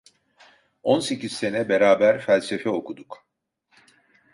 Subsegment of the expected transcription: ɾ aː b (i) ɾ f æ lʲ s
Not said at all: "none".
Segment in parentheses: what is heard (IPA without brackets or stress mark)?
æ